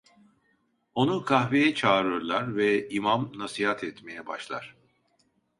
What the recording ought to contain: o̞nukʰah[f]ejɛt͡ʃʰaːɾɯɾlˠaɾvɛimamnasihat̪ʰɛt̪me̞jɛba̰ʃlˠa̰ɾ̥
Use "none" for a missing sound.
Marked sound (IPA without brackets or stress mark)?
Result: v